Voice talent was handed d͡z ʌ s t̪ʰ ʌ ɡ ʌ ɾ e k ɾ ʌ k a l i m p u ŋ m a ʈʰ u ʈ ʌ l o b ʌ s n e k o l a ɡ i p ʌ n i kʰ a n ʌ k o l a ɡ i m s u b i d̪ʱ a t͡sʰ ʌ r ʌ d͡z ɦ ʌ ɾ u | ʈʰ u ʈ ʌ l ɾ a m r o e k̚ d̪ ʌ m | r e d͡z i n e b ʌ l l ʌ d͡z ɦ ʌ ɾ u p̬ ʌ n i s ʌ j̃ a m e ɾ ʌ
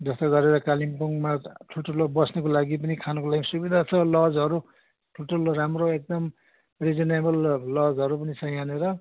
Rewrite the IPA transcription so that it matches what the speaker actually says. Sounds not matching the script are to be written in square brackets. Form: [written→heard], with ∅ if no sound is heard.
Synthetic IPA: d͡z ʌ s [t̪ʰ→t̪] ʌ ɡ ʌ ɾ e [k→∅] ɾ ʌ k a l i m p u ŋ m a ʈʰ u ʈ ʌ l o b ʌ s n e k o l a ɡ i p ʌ n i kʰ a n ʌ k o l a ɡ i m s u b i d̪ʱ a t͡sʰ ʌ [r→l] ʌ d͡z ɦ ʌ ɾ u | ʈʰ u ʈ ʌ l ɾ a m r o e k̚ d̪ ʌ m | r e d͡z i n e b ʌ l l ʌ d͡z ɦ ʌ ɾ u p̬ ʌ n i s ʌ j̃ a [m→n] e ɾ ʌ